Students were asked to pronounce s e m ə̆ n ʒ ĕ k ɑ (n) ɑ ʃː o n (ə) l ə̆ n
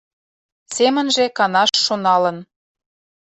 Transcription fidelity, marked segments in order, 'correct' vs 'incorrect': correct, incorrect: ɑ

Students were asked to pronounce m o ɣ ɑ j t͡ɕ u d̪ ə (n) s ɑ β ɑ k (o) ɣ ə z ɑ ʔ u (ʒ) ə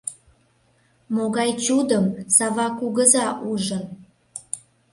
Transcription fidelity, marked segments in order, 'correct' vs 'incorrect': incorrect: m, incorrect: u, correct

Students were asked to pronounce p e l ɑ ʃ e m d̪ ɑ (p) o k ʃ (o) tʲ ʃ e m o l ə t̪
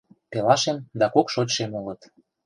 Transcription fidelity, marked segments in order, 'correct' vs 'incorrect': incorrect: k, correct

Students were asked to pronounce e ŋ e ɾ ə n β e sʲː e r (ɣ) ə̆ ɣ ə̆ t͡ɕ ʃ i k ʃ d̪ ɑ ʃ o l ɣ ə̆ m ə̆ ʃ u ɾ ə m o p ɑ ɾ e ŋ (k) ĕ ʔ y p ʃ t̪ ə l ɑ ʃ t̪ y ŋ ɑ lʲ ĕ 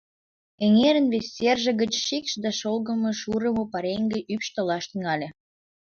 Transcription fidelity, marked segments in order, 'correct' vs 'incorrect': incorrect: ʒ, incorrect: ɡ

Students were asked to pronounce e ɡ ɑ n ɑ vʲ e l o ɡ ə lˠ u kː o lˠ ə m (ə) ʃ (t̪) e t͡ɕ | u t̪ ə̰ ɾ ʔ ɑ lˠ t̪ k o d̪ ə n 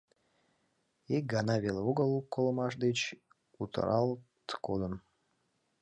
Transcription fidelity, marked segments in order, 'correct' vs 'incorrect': incorrect: ɑ, incorrect: d̪

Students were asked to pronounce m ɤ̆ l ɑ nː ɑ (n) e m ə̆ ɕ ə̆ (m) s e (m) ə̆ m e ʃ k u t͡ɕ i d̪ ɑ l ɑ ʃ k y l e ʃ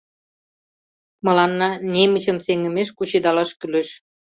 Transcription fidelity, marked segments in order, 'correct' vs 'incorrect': correct, correct, incorrect: ŋ

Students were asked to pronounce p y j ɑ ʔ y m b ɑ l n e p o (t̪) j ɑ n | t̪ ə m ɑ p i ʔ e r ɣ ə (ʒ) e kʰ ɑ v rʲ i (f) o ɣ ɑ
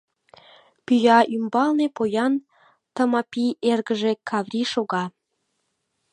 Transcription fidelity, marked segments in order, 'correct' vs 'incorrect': incorrect: none, correct, incorrect: ʃ

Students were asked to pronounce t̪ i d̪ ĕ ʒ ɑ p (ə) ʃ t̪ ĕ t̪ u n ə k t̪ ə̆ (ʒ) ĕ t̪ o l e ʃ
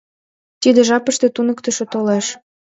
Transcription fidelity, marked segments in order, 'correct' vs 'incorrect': correct, incorrect: ʃ

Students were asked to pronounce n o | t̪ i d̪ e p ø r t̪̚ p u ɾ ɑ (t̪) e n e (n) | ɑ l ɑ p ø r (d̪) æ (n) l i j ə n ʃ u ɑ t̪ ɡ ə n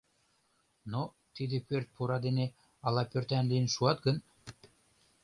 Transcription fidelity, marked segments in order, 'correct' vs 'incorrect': incorrect: d̪, incorrect: none, incorrect: t̪, correct

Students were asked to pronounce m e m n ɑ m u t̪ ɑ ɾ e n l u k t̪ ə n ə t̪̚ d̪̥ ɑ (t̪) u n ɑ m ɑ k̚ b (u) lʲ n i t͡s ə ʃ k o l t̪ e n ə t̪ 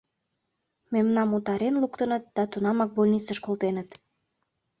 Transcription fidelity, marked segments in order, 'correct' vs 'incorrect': correct, incorrect: o

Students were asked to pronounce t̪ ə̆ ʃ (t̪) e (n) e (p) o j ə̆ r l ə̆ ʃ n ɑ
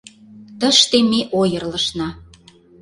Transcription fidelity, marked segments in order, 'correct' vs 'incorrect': correct, incorrect: m, incorrect: ʔ

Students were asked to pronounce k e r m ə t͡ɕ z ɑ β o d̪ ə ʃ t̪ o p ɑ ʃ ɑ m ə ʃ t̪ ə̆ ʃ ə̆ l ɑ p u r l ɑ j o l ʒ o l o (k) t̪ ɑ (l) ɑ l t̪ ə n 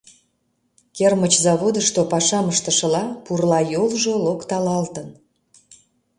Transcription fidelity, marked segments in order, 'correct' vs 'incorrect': correct, correct

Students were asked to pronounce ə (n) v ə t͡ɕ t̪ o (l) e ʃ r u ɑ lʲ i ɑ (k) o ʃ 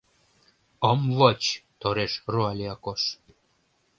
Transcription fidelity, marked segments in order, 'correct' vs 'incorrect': incorrect: m, incorrect: ɾ, correct

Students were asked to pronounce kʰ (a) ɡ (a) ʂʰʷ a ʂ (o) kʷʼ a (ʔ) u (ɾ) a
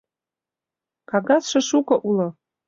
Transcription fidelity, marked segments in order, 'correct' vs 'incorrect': correct, correct, incorrect: u, correct, incorrect: l

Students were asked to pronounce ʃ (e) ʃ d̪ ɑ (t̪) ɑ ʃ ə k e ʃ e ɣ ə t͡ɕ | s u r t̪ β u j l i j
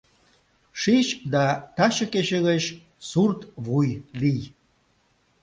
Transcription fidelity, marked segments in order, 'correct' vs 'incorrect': incorrect: i, correct

